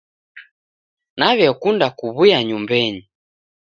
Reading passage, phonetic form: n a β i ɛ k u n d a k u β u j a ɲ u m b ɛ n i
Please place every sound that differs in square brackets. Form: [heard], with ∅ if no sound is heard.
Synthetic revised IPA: n a β [j] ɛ k u n d a k u β u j a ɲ u m b ɛ [ɲ] i